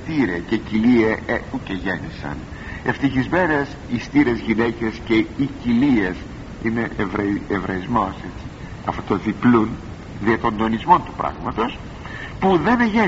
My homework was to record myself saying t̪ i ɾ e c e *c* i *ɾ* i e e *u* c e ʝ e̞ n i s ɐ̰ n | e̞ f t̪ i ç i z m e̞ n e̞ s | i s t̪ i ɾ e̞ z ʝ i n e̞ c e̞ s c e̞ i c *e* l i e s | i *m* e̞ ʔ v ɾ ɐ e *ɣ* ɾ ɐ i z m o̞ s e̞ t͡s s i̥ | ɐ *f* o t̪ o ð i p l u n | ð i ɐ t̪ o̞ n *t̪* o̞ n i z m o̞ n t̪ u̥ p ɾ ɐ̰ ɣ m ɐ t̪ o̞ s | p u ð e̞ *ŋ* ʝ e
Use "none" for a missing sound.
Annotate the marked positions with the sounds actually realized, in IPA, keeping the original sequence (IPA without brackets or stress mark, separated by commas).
c, l, u, i, n, v, f, d̪, n